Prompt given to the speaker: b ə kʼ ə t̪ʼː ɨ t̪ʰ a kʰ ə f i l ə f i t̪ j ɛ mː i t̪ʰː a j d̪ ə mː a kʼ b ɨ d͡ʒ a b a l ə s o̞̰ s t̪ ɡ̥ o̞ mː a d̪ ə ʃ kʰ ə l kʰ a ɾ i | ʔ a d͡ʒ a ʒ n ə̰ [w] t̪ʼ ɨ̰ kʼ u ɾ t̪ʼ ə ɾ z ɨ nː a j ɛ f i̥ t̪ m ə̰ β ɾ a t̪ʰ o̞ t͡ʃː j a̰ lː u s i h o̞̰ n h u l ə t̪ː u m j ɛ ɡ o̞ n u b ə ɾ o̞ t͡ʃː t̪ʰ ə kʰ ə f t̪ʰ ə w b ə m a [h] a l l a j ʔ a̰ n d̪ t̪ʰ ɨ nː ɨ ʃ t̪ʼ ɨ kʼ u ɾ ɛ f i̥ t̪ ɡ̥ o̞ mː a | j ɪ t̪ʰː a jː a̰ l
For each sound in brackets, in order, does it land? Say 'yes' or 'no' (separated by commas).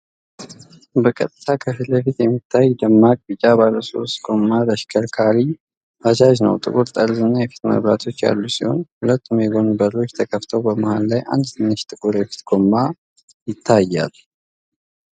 yes, yes